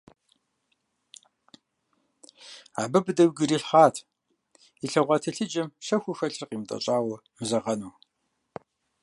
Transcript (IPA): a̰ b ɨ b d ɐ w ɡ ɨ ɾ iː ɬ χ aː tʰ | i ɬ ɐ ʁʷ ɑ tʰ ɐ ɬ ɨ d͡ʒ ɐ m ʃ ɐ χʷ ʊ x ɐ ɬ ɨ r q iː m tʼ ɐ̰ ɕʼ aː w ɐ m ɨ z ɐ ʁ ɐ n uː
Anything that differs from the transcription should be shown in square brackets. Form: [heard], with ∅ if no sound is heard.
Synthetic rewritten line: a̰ b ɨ b d ɐ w ɡ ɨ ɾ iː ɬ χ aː tʰ | i ɬ ɐ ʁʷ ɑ tʰ ɐ ɬ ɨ d͡ʒ ɐ m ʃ ɐ [xʷ] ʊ x ɐ ɬ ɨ r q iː m tʼ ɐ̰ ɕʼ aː w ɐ m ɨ z ɐ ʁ ɐ n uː

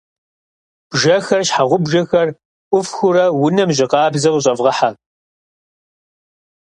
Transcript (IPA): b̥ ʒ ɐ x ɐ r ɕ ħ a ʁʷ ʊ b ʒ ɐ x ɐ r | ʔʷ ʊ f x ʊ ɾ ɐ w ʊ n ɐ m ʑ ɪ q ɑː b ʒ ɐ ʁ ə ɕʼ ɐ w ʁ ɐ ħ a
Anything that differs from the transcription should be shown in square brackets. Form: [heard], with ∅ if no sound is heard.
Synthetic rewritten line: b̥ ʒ ɐ x ɐ r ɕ ħ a ʁʷ ʊ b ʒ ɐ x ɐ r | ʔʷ ʊ f x ʊ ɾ ɐ w ʊ n ɐ m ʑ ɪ q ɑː b [z] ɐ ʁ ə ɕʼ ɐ [v] ʁ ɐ ħ a

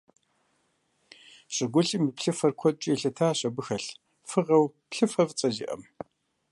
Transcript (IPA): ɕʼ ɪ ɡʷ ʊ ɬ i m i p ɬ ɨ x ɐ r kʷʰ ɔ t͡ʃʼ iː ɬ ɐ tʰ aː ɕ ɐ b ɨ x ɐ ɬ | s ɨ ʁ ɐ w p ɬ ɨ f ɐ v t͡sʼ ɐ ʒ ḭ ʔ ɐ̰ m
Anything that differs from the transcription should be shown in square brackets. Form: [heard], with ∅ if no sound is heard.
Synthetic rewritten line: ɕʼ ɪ ɡʷ ʊ ɬ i m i p ɬ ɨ [f] ɐ r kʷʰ ɔ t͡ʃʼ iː ɬ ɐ tʰ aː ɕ ɐ b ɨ x ɐ ɬ | [f] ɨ ʁ ɐ w p ɬ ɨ f ɐ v t͡sʼ ɐ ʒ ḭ ʔ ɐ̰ m

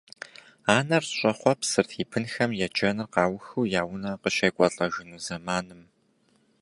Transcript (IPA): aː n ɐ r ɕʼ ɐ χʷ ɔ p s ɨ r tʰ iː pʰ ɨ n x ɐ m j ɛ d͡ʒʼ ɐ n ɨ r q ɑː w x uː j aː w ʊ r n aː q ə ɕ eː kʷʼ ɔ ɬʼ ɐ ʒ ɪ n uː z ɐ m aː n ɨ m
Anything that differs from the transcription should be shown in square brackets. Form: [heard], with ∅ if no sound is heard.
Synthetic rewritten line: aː n ɐ r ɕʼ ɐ χʷ ɔ p s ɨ r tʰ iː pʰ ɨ n x ɐ m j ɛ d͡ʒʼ ɐ n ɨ r q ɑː w x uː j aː w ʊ [∅] n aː q ə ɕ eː kʷʼ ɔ ɬʼ ɐ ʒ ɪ n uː z ɐ m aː n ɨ m

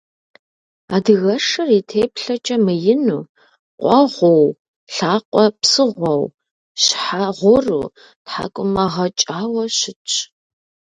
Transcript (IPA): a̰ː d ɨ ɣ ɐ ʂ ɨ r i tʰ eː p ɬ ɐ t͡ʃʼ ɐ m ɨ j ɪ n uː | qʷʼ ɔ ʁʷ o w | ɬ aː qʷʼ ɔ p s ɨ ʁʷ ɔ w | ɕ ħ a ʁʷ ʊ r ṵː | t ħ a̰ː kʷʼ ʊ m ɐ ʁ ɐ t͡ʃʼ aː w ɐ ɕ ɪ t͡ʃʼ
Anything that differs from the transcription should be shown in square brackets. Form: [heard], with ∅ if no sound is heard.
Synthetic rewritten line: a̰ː d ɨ ɣ ɐ ʂ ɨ r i tʰ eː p ɬ ɐ t͡ʃʼ ɐ m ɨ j ɪ n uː | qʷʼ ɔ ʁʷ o w | ɬ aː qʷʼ ɔ p s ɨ ʁʷ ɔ w | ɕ ħ a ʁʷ ʊ r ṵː | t ħ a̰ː kʷʼ ʊ m ɐ ʁ ɐ t͡ʃʼ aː w ɐ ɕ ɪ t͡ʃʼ

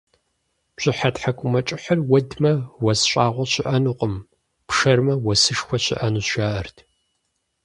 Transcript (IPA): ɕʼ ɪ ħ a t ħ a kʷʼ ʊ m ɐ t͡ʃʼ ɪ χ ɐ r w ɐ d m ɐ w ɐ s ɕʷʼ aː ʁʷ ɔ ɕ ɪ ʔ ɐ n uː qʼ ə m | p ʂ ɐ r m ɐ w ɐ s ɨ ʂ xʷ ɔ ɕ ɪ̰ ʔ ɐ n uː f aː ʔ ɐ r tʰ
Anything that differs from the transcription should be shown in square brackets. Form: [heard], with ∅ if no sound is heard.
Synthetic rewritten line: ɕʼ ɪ ħ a t ħ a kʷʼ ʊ m ɐ t͡ʃʼ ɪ [ħ] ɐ r w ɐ d m ɐ w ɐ s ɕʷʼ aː ʁʷ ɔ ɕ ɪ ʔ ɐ n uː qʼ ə m | p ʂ ɐ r m ɐ w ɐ s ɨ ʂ xʷ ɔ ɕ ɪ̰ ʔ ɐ n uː [ʃ] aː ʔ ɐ r tʰ

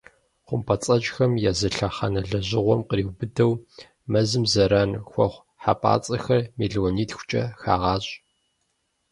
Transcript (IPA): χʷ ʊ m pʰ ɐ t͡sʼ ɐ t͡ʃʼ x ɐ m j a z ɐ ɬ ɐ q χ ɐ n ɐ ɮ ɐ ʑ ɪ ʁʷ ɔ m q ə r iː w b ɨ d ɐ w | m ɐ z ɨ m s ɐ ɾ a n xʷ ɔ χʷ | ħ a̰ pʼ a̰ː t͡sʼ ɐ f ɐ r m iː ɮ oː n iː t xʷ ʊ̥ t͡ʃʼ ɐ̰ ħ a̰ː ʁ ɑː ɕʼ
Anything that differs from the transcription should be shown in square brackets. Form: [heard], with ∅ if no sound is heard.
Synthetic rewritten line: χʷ ʊ m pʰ ɐ t͡sʼ ɐ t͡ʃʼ x ɐ m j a z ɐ ɬ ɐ [∅] χ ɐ n ɐ ɮ ɐ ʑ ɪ ʁʷ ɔ m q ə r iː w b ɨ d ɐ w | m ɐ z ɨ m [z] ɐ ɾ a n xʷ ɔ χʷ | ħ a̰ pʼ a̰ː t͡sʼ ɐ [x] ɐ r m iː ɮ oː n iː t xʷ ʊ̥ t͡ʃʼ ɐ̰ [x] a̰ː ʁ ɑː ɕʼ

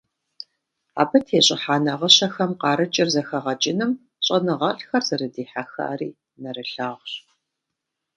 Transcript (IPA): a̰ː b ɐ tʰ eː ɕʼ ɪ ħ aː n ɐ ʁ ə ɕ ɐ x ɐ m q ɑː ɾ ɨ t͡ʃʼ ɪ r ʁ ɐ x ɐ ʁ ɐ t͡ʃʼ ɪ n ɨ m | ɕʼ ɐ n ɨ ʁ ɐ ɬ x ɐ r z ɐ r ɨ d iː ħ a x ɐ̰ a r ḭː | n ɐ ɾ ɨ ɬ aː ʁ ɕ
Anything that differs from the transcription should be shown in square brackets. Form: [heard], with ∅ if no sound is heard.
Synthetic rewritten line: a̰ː b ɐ tʰ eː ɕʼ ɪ ħ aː n ɐ ʁ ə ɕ ɐ x ɐ m q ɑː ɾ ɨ t͡ʃʼ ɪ r [z] ɐ x ɐ ʁ ɐ t͡ʃʼ ɪ n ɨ m | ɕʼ ɐ n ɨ ʁ ɐ ɬ x ɐ r z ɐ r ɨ d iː ħ a x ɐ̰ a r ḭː | n ɐ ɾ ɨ ɬ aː ʁ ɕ

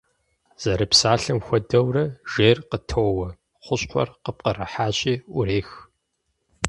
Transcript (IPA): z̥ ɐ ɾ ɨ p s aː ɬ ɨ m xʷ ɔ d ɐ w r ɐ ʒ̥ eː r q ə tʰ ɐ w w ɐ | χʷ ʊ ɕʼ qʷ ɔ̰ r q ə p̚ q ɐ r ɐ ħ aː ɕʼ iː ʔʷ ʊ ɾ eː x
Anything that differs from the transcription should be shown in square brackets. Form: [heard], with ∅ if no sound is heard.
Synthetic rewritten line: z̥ ɐ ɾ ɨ p s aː ɬ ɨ m xʷ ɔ d ɐ w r ɐ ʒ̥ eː r q ə tʰ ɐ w w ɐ | χʷ ʊ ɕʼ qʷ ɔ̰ r q ə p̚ q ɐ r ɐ ħ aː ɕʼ iː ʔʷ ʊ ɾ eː x

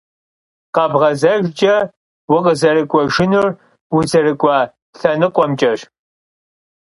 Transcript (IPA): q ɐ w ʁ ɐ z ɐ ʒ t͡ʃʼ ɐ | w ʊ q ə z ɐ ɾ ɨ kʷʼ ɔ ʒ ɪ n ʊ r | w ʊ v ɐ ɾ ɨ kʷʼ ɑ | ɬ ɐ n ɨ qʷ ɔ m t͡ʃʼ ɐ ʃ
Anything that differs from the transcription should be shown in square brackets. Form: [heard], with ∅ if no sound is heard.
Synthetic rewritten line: q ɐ [b] ʁ ɐ z ɐ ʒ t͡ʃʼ ɐ | w ʊ q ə z ɐ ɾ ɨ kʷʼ ɔ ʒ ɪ n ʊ r | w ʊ [z] ɐ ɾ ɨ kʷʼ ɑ | ɬ ɐ n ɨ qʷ ɔ m t͡ʃʼ ɐ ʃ

